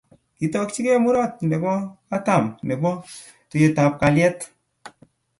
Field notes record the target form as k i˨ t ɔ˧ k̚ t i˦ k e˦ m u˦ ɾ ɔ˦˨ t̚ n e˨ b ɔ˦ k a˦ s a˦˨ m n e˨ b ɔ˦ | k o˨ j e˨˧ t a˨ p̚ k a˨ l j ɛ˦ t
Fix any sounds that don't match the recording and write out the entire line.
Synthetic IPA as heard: k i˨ t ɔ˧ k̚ t͡ʃ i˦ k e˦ m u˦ ɾ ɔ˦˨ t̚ n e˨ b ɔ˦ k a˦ t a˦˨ m n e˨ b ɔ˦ | t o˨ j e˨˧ t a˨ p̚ k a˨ l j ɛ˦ t